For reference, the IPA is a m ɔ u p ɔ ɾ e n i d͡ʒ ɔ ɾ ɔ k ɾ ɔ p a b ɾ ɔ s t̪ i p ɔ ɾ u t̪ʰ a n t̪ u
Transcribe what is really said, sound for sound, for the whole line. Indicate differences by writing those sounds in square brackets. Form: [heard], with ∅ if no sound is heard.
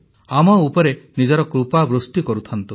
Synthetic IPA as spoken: a m ɔ u p ɔ ɾ e n i d͡ʒ ɔ ɾ ɔ k ɾ [u] p a b ɾ [u] s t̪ i [k] ɔ ɾ u t̪ʰ a n t̪ u

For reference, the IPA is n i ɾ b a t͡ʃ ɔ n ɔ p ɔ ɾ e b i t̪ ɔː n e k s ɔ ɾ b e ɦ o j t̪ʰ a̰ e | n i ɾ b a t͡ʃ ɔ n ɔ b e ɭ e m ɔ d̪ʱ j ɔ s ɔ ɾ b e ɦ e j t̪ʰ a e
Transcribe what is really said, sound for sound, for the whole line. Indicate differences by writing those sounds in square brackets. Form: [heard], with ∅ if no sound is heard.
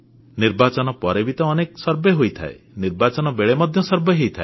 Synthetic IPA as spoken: n i ɾ b a t͡ʃ ɔ n ɔ p ɔ ɾ e b i t̪ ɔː n e k s ɔ ɾ b e ɦ o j t̪ʰ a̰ e | n i ɾ b a t͡ʃ ɔ n ɔ b e ɭ e m ɔ d̪ʱ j ɔ s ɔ ɾ b e ɦ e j t̪ʰ a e

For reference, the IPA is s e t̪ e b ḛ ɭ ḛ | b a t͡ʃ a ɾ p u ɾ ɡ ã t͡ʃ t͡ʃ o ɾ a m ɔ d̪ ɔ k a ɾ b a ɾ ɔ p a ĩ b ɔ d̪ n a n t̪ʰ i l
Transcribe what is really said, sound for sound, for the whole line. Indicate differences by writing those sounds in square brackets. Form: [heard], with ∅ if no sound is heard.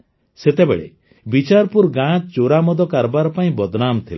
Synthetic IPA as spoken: s e t̪ e b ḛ ɭ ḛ | b [i] t͡ʃ a ɾ p u ɾ ɡ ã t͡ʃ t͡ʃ o ɾ a m ɔ d̪ ɔ k a ɾ b a ɾ ɔ p a ĩ b ɔ d̪ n a [m] t̪ʰ i l

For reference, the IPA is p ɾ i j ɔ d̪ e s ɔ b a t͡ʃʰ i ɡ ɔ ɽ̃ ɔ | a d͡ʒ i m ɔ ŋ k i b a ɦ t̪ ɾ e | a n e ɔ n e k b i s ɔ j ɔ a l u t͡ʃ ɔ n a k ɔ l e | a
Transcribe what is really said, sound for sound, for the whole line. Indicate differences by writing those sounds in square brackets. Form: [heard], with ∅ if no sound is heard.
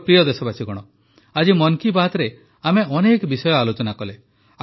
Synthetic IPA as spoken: p ɾ i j ɔ d̪ e s ɔ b a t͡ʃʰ i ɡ ɔ ɽ̃ ɔ | a d͡ʒ i m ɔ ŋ k i b a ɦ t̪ ɾ e | a [m] e ɔ n e k b i s ɔ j ɔ a l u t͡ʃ ɔ n a k ɔ l e | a

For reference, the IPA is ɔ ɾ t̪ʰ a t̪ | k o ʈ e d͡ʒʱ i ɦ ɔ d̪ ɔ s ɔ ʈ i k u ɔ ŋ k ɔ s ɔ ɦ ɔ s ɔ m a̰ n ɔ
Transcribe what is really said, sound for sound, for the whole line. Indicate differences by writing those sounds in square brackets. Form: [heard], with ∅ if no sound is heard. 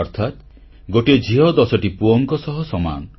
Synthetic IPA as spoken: ɔ ɾ t̪ʰ a t̪ | [ɡ] o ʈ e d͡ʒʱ i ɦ ɔ d̪ ɔ s ɔ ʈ i [p] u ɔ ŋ k ɔ s ɔ ɦ ɔ s ɔ m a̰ n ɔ

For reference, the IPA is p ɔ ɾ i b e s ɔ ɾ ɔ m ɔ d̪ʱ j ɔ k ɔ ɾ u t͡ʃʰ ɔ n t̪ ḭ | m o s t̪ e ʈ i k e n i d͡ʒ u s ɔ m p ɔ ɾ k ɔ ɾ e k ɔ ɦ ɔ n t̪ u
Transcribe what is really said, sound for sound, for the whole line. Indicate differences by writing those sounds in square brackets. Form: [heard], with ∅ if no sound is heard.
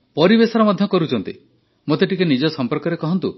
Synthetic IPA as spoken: p ɔ ɾ i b e s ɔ ɾ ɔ m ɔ d̪ʱ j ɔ k ɔ ɾ u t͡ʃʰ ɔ n t̪ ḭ | m o [∅] t̪ e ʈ i k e n i d͡ʒ [ɔ] s ɔ m p ɔ ɾ k ɔ ɾ e k ɔ ɦ ɔ n t̪ u

